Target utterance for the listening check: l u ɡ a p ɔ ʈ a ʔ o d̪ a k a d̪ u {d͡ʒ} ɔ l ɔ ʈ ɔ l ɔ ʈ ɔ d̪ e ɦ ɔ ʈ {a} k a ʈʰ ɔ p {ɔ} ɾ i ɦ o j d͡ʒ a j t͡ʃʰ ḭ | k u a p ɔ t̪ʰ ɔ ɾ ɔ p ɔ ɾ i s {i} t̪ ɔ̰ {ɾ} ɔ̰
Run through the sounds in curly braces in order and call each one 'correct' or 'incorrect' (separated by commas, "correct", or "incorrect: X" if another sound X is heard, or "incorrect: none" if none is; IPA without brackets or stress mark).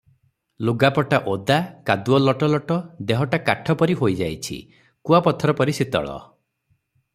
incorrect: none, correct, correct, correct, incorrect: ɭ